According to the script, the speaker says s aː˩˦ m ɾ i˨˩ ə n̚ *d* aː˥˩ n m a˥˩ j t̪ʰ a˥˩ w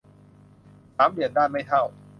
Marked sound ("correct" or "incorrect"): correct